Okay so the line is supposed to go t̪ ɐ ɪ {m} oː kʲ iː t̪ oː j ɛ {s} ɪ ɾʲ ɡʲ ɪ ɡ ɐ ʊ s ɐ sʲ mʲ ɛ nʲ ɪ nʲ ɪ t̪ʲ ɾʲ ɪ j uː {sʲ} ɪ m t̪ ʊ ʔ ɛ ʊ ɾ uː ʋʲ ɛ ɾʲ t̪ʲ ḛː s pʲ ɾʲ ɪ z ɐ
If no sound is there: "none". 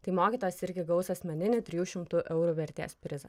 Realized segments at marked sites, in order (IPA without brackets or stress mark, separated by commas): m, s, ʃʲ